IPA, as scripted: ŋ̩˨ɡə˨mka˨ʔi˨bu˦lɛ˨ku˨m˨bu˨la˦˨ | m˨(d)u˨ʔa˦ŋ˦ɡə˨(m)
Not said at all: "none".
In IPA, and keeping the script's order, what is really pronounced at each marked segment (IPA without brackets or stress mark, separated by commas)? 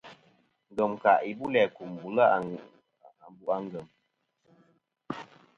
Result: b, m